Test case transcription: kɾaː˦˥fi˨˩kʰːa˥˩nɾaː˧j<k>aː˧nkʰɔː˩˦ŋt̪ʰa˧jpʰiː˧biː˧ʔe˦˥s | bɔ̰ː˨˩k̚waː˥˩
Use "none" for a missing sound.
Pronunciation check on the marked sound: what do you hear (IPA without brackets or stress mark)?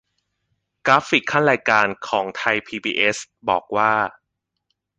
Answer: k